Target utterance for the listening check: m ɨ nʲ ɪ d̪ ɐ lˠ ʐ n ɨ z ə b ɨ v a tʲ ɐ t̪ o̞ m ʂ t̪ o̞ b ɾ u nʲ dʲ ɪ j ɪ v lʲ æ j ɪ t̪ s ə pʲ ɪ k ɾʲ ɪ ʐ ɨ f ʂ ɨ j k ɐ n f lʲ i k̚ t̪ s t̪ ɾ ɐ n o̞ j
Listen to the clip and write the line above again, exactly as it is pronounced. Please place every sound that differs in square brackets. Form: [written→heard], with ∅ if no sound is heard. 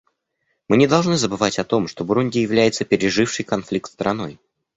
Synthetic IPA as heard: m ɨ nʲ ɪ d̪ ɐ lˠ ʐ n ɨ z ə b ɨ v a tʲ ɐ t̪ o̞ m ʂ t̪ o̞ b ɾ u nʲ dʲ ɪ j ɪ v lʲ æ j ɪ t̪ s ə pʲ ɪ [k→∅] ɾʲ ɪ ʐ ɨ f ʂ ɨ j k ɐ n f lʲ i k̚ t̪ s t̪ ɾ ɐ n o̞ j